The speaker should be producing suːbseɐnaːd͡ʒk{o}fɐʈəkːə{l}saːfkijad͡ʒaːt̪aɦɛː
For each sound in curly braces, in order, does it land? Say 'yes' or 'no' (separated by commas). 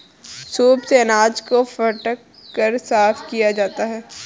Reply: yes, no